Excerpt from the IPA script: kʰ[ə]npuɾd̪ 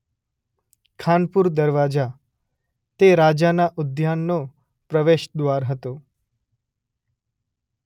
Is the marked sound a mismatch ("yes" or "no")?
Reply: yes